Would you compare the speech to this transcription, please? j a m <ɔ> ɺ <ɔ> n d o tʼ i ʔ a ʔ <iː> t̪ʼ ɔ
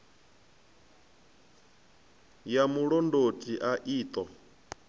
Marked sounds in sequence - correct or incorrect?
incorrect: u, correct, correct

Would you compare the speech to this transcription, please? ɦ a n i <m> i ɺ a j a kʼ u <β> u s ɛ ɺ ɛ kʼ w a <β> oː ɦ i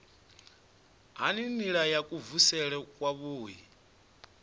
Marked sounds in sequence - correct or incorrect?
incorrect: n, incorrect: v, correct

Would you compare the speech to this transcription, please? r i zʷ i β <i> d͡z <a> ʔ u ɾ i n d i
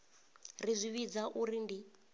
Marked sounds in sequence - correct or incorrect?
correct, correct

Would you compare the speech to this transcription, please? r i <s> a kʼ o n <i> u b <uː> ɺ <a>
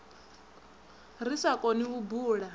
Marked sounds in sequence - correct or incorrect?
correct, correct, correct, correct

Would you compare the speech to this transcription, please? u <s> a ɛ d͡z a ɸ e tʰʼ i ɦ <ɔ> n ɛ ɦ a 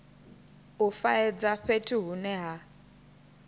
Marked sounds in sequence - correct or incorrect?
incorrect: f, incorrect: u

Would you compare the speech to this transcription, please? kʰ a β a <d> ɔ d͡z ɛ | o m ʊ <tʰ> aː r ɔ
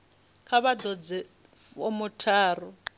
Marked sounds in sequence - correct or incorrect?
correct, correct

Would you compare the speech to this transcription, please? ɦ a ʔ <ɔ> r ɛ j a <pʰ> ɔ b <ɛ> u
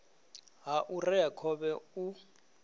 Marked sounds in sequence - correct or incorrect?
incorrect: u, incorrect: kʰ, correct

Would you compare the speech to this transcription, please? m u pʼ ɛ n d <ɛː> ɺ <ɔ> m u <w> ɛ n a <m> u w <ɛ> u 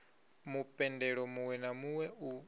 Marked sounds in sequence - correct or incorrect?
incorrect: ɛ, correct, correct, correct, correct

